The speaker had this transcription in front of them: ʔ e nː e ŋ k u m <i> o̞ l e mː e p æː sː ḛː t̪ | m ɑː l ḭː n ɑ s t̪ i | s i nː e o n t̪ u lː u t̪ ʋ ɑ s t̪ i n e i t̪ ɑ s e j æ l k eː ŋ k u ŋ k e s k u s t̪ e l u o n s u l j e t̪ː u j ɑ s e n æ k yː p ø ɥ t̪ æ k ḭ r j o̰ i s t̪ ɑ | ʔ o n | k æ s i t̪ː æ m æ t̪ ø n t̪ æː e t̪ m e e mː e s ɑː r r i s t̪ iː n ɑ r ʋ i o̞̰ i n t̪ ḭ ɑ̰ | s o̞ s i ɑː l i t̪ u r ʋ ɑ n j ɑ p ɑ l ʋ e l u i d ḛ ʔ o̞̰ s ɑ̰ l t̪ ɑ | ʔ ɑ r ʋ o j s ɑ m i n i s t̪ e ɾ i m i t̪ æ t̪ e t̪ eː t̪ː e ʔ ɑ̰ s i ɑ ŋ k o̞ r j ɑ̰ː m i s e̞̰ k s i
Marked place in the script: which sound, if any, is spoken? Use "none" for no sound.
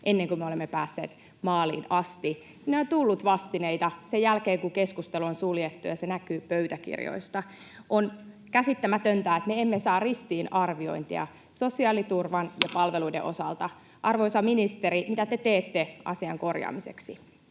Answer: e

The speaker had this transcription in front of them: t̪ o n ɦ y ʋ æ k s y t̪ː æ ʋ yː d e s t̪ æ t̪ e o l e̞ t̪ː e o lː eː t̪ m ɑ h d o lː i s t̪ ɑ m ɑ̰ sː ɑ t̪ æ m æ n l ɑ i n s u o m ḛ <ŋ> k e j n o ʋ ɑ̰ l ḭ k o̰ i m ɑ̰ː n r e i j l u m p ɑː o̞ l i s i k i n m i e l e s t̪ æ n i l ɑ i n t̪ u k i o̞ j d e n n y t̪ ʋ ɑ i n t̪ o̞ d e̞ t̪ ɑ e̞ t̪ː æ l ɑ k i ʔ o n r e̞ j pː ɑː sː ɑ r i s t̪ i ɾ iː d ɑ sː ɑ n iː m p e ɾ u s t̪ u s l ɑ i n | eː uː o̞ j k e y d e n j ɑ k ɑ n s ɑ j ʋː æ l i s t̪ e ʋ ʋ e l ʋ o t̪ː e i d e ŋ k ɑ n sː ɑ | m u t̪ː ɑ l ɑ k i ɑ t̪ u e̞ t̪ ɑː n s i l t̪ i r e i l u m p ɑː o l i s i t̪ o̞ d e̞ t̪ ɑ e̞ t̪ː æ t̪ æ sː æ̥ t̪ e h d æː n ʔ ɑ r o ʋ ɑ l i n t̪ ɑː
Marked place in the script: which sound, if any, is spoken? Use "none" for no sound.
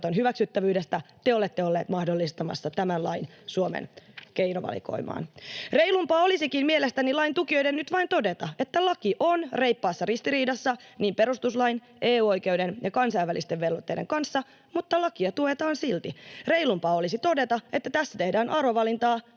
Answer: n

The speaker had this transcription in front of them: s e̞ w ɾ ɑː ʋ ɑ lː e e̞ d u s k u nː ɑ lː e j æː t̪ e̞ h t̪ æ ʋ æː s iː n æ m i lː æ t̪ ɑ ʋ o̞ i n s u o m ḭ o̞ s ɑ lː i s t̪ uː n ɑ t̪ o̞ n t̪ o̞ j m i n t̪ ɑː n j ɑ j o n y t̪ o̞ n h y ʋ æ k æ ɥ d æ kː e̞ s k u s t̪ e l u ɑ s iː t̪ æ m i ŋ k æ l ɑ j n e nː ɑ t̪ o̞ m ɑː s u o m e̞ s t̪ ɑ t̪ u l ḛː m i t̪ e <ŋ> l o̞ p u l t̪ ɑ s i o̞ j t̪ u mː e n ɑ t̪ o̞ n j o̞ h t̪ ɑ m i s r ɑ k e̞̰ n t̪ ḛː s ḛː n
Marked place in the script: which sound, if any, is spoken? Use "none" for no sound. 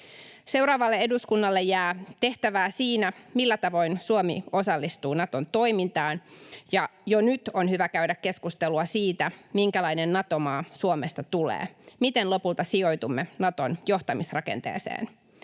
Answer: n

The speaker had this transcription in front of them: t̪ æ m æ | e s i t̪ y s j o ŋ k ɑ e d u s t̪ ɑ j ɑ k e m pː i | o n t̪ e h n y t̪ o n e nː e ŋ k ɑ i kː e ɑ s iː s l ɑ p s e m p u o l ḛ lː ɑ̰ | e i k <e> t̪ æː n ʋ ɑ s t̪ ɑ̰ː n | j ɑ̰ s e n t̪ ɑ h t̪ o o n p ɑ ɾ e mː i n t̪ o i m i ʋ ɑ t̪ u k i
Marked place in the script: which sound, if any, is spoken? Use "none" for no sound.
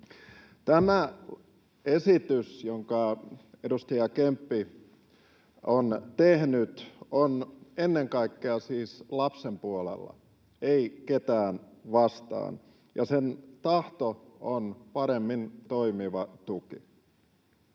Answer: e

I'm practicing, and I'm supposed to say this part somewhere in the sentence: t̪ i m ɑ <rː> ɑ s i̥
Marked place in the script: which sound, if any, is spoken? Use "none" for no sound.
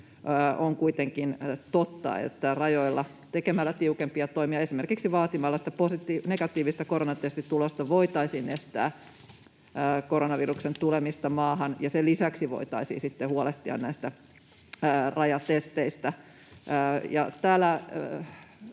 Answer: lː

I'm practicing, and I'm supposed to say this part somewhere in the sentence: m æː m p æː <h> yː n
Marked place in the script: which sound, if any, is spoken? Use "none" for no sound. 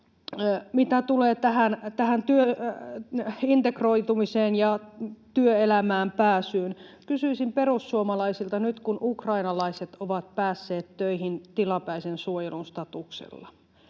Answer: s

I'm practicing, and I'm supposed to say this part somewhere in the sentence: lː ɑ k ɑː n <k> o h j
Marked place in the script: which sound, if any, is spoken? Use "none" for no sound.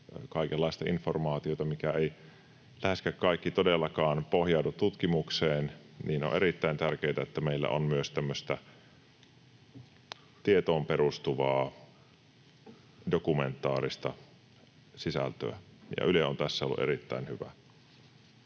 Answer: p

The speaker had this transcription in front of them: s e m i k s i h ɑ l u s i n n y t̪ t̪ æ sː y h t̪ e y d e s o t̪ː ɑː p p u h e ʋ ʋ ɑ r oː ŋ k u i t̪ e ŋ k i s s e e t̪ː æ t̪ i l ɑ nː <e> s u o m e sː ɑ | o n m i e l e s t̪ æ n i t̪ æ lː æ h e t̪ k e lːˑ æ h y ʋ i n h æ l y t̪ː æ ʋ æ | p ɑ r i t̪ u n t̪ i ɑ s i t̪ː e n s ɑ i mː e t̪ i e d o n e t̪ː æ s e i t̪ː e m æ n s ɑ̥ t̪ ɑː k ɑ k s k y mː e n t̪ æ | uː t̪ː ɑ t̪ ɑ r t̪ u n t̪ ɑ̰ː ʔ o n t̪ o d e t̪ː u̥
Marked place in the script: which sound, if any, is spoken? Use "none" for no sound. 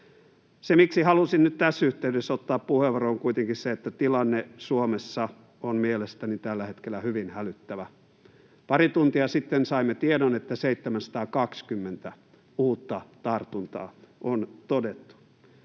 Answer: e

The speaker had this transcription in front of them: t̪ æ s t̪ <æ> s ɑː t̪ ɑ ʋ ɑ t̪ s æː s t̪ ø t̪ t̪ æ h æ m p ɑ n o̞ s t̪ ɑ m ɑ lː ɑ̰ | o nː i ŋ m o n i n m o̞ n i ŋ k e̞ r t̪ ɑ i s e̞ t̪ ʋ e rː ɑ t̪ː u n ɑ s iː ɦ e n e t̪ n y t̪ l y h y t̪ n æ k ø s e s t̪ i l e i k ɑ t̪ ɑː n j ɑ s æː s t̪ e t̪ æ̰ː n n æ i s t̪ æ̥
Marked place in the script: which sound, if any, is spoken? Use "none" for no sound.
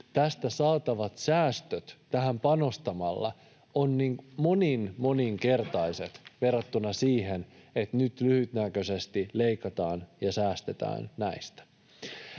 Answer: æ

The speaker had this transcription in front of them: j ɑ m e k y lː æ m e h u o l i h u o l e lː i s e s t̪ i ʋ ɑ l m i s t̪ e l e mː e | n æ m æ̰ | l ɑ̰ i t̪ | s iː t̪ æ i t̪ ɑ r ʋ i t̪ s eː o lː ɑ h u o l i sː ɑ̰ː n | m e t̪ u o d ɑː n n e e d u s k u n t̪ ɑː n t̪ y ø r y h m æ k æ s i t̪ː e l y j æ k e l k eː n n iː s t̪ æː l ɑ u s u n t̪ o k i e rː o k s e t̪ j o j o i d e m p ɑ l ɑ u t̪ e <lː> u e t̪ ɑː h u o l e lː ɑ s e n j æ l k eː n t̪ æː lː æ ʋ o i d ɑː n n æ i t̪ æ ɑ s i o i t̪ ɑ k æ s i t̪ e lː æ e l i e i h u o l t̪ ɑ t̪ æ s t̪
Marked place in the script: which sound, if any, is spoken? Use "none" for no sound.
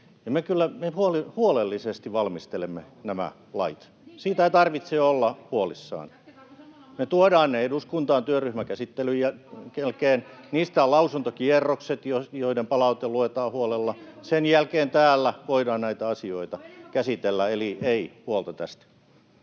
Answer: l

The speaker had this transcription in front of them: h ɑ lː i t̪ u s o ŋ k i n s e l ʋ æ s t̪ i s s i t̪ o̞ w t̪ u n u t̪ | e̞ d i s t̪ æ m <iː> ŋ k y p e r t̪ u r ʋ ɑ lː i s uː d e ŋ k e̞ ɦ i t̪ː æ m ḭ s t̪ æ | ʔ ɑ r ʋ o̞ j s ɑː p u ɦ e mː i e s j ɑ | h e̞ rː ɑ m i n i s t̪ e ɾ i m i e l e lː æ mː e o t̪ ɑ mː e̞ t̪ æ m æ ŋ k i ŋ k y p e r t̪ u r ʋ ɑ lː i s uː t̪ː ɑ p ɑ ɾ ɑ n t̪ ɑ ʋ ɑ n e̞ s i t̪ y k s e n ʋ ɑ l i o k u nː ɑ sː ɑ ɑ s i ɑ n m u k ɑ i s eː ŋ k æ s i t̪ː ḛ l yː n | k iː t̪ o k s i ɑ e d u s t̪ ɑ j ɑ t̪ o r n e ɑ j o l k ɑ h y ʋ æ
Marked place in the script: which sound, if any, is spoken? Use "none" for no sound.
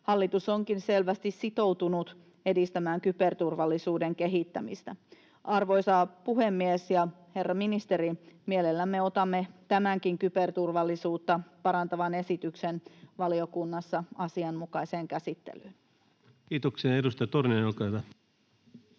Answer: æː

